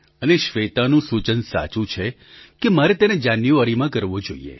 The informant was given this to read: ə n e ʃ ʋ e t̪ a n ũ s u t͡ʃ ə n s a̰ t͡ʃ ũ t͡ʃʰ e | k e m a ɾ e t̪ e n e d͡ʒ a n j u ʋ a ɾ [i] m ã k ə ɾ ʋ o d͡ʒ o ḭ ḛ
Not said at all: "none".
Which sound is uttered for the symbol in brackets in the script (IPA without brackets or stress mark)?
i